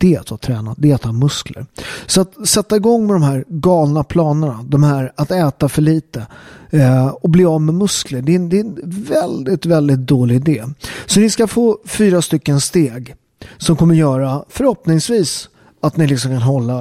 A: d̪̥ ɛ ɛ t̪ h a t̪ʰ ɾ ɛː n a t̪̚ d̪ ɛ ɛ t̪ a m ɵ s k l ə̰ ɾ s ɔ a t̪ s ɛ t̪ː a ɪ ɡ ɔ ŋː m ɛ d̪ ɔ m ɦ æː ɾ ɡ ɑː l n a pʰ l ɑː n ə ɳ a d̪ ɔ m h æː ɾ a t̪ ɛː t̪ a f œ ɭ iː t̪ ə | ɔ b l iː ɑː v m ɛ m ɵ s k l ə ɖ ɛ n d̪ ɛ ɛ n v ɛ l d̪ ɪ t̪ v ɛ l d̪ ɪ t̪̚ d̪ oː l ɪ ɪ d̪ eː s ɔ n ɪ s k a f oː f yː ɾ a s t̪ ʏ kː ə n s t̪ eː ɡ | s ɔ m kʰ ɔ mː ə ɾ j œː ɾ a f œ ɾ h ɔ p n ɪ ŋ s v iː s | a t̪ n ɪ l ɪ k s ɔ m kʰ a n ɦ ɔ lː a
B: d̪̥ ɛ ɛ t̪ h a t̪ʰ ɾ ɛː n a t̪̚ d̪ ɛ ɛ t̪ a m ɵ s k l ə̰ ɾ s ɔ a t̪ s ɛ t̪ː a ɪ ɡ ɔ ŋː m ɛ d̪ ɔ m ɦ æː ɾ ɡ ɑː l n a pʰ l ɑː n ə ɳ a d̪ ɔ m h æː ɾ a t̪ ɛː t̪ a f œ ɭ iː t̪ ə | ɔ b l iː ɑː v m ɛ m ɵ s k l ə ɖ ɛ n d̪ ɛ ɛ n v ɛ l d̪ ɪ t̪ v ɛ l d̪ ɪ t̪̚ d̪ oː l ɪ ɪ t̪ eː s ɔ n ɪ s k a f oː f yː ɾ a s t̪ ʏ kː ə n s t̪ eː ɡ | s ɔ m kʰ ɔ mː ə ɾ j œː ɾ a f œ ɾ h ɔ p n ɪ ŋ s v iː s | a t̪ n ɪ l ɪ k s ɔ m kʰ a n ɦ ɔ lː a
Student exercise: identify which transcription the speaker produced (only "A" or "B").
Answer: A